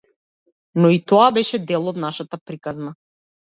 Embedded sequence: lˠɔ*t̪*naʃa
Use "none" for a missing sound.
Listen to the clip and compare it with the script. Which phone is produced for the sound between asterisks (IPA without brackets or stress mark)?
d̪